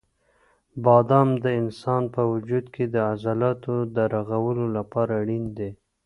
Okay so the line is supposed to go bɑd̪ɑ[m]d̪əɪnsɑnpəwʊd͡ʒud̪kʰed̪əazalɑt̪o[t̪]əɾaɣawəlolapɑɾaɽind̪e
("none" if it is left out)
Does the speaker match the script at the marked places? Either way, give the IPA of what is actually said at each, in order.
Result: m, d̪

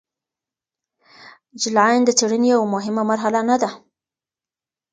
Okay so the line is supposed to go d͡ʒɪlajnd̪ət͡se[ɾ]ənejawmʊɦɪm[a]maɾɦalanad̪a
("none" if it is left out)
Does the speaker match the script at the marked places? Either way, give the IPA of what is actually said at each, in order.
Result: ɽ, a

